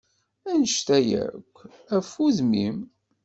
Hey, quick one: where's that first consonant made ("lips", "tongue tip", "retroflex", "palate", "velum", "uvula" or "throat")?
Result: tongue tip